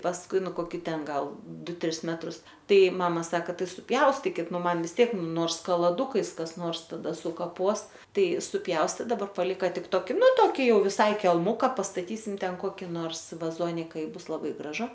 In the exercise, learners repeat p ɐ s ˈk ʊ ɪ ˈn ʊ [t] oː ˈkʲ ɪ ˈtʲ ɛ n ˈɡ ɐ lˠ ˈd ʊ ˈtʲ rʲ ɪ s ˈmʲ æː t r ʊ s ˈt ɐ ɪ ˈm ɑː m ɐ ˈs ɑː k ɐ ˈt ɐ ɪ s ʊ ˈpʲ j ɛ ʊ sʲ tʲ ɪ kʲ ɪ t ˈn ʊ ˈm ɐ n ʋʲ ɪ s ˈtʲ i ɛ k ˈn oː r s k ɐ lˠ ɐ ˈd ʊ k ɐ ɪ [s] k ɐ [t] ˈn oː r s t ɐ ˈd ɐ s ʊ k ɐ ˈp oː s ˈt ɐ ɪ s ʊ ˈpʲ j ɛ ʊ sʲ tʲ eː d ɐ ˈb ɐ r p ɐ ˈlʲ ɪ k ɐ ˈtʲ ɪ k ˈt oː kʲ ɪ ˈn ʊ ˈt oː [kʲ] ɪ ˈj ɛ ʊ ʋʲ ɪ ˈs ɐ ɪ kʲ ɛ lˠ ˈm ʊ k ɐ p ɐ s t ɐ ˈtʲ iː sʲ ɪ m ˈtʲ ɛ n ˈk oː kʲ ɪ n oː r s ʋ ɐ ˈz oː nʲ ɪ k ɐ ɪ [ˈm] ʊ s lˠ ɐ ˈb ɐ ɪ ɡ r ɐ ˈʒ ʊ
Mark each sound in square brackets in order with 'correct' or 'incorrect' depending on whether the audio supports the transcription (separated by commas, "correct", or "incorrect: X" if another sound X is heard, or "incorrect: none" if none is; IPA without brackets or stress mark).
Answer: incorrect: k, correct, incorrect: s, correct, incorrect: b